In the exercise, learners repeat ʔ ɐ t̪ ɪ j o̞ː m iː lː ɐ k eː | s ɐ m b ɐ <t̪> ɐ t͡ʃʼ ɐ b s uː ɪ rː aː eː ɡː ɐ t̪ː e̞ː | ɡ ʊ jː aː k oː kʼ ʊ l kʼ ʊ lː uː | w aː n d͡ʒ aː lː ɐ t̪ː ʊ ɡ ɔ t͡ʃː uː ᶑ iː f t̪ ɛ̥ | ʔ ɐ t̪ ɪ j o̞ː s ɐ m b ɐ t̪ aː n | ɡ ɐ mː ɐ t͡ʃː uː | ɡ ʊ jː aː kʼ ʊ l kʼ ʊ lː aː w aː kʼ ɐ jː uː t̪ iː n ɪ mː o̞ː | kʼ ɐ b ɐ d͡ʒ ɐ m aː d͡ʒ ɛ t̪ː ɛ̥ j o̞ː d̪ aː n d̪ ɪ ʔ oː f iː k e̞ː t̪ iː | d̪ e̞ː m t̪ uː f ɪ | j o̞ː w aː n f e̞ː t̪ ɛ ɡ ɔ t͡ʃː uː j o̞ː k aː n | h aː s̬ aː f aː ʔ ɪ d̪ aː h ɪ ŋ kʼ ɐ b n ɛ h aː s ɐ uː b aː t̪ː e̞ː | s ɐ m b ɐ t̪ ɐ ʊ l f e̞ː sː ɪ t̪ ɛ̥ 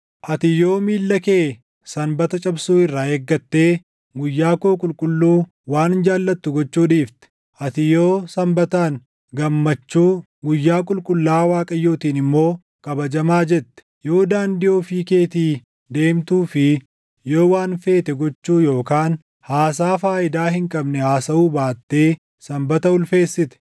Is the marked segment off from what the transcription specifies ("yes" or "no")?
no